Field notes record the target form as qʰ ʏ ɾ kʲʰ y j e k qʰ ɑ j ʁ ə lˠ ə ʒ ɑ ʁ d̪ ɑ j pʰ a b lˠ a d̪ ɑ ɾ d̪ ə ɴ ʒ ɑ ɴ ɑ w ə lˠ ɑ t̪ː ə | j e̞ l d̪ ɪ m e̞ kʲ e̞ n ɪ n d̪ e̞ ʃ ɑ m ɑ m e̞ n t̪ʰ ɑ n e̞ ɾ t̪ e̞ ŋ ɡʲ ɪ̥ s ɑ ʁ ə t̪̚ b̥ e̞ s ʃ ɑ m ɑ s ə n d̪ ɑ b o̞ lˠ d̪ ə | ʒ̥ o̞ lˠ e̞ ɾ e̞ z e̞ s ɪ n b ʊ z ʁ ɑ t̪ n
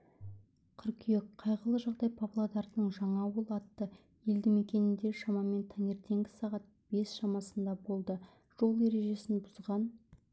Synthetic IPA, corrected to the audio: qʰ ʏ ɾ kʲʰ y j e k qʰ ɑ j ʁ ə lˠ ə ʒ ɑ ʁ d̪ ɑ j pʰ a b lˠ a d̪ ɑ ɾ d̪ ə ɴ ʒ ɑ ɴ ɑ w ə lˠ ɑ t̪ː ə | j e̞ l d̪ ɪ m e̞ kʲ e̞ n ɪ n d̪ e̞ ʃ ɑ m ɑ m e̞ n t̪ʰ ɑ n e̞ ɾ t̪ e̞ ŋ ɡʲ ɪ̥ s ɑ ʁ ɑ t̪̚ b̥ e̞ s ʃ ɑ m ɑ s ə n d̪ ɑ b o̞ lˠ d̪ ə | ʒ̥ o̞ lˠ e̞ ɾ e̞ ʒ e̞ s ɪ n b ʊ z ʁ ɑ n